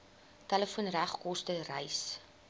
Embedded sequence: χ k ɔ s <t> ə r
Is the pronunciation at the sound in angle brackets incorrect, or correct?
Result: correct